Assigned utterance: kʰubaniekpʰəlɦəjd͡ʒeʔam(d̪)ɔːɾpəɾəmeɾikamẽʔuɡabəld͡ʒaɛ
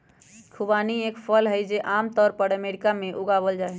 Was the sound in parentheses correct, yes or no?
no